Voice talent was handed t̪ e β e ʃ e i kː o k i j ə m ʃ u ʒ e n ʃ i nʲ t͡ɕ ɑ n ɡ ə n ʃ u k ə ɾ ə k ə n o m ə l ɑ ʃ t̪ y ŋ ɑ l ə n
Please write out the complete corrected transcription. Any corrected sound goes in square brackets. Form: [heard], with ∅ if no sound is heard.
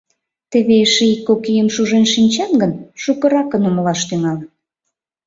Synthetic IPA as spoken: t̪ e β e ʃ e i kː o k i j ə m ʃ u ʒ e n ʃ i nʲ t͡ɕ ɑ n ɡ ə n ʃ u k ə ɾ [ɑ] k ə n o m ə l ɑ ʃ t̪ y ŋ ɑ l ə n